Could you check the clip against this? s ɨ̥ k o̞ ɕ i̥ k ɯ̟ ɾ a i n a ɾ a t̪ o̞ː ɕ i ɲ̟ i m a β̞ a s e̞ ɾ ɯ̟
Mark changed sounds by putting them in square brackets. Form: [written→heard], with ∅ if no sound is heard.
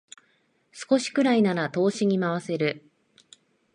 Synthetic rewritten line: s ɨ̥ k o̞ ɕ i̥ k ɯ̟ ɾ a i n a ɾ a t̪ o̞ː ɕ i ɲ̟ i m a β̞ a s e̞ ɾ ɯ̟